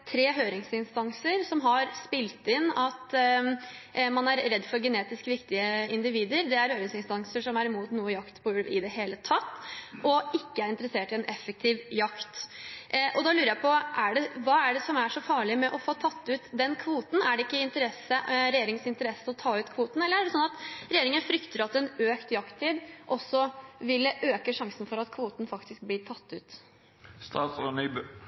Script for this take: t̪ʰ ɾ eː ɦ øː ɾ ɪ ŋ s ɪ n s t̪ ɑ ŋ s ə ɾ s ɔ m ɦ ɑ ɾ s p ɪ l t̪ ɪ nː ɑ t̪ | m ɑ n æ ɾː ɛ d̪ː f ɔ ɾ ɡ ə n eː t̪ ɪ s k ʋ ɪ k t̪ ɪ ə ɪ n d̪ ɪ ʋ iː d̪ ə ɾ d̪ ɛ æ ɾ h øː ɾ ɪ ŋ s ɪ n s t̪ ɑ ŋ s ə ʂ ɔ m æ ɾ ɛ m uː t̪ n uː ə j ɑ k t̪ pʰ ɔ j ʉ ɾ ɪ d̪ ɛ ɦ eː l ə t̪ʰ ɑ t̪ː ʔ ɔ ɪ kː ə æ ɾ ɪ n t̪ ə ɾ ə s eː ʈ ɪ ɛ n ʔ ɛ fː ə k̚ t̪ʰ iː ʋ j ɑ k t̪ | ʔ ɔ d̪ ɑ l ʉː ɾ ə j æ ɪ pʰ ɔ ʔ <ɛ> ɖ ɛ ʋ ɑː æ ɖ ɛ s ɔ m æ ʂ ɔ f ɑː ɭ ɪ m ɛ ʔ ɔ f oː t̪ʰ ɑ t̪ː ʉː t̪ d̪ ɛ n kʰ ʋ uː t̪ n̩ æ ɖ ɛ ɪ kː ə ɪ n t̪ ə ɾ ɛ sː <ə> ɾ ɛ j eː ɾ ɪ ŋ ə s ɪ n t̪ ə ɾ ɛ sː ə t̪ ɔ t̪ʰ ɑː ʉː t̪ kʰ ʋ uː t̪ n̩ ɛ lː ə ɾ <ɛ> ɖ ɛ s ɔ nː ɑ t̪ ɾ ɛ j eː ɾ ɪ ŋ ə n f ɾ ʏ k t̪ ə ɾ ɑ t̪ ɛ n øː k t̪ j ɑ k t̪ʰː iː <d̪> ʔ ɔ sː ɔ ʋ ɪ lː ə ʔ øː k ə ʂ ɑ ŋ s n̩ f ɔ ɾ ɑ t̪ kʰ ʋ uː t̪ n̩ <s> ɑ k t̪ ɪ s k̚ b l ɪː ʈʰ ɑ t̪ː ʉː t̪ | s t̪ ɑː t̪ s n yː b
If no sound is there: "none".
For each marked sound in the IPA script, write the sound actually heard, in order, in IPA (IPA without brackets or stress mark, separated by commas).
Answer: æ, ə, æ, d̪, f